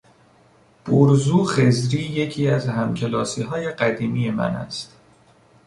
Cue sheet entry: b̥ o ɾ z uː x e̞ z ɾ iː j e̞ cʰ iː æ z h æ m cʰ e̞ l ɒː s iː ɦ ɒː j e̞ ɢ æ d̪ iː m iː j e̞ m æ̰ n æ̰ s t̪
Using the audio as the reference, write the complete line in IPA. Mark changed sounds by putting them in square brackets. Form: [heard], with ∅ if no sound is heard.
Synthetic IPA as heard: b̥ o ɾ z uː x e̞ z ɾ iː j e̞ cʰ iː æ z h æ m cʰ e̞ l ɒː s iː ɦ ɒː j e̞ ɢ æ d̪ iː m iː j e̞ m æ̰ n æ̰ s t̪